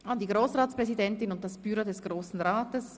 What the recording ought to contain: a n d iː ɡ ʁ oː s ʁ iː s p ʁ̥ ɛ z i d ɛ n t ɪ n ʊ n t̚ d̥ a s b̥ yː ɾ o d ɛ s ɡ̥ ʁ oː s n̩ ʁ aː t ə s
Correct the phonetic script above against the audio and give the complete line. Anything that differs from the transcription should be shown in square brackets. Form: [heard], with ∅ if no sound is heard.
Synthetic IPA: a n d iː ɡ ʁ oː s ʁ [aː] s p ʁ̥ ɛ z i d ɛ n t ɪ n ʊ n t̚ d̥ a s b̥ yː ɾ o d ɛ s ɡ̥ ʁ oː s n̩ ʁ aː t ə s